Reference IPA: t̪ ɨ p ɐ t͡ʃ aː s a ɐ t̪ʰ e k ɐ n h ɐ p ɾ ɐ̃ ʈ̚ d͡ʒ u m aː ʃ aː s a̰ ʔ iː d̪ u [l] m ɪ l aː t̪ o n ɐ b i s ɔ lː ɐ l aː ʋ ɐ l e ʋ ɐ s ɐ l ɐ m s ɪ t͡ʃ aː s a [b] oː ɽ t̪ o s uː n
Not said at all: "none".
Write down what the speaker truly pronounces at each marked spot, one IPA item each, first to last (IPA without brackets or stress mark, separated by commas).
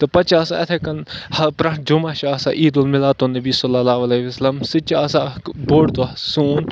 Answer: l, b